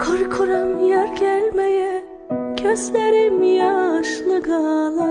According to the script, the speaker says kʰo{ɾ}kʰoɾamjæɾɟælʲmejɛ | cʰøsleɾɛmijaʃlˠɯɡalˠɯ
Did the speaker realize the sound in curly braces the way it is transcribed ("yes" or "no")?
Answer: yes